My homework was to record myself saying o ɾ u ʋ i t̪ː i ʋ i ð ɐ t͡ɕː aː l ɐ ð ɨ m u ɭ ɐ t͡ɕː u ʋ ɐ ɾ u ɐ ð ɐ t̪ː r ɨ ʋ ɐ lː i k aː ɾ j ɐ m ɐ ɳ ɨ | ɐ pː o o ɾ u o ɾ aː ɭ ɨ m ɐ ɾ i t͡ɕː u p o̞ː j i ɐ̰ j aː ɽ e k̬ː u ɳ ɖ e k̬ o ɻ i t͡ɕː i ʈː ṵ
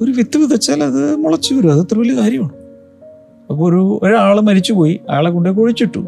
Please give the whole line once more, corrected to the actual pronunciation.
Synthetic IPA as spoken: o ɾ u ʋ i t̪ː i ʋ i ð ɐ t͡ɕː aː l ɐ ð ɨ m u ɭ ɐ t͡ɕː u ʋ ɐ ɾ u ɐ ð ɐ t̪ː r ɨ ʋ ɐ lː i k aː ɾ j ɐ m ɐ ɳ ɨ | ɐ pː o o ɾ u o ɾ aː ɭ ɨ m ɐ ɾ i t͡ɕː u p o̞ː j i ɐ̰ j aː ɭ e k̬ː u ɳ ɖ e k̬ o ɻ i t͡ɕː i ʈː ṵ